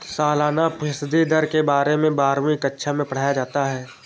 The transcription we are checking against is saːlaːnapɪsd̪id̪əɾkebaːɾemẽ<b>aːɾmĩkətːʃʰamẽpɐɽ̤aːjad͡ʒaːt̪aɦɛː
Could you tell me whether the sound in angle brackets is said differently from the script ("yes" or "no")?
no